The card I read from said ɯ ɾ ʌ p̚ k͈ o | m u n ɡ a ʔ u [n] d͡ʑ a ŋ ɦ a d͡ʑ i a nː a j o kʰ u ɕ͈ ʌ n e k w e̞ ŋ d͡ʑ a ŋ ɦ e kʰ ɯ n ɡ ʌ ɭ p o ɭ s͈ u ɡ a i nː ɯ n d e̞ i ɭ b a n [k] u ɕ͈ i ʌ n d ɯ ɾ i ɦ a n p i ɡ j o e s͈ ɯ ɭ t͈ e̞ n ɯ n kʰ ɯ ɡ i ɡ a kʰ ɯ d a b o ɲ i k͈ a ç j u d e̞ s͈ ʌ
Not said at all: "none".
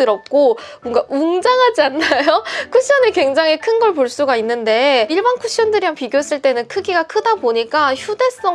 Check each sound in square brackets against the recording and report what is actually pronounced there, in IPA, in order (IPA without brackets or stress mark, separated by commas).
ŋ, kʰ